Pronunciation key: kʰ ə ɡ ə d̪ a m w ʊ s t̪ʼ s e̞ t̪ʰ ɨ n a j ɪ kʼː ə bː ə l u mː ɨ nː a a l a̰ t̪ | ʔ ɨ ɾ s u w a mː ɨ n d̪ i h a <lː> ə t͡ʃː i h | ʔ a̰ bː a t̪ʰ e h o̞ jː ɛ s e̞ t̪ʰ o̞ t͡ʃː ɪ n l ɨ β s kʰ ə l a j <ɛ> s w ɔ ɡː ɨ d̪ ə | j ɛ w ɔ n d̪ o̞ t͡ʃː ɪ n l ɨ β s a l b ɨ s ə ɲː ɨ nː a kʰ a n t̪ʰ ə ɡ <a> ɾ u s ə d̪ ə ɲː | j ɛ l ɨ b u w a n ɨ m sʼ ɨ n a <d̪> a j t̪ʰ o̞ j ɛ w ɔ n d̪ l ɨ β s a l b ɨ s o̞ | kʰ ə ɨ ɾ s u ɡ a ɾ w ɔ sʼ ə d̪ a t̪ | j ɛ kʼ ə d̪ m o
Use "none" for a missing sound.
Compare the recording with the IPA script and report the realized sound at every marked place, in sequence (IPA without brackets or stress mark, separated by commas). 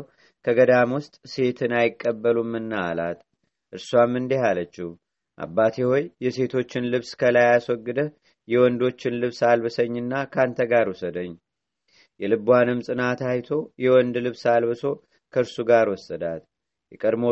l, a, a, t̪